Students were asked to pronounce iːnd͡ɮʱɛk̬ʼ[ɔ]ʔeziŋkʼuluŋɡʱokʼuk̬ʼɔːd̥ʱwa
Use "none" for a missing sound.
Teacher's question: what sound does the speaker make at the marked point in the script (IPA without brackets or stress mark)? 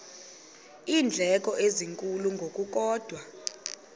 ɔ